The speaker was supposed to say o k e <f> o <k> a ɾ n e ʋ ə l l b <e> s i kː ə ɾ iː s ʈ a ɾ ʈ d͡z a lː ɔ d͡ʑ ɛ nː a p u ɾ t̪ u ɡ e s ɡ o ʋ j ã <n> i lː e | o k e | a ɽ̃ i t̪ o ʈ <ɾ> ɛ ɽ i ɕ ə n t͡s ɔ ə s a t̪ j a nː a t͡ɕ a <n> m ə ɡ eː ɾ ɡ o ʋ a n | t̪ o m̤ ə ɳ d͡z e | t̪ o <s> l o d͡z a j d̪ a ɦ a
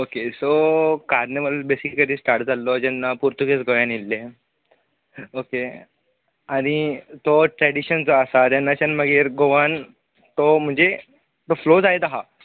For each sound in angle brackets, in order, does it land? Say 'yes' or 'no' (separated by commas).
no, yes, yes, yes, yes, yes, no